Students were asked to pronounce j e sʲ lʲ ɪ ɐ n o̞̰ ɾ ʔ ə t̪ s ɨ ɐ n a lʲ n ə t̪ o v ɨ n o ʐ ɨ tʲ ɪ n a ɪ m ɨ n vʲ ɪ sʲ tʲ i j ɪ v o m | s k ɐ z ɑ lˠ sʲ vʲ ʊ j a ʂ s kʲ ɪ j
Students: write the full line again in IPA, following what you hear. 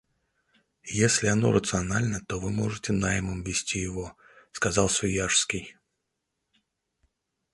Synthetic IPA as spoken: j e sʲ lʲ ɪ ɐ n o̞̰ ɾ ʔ ə t̪ s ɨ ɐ n a lʲ n ə t̪ o v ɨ m o ʐ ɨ tʲ ɪ n a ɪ m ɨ m vʲ ɪ sʲ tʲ i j ɪ v o | s k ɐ z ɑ lˠ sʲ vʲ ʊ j a ʂ s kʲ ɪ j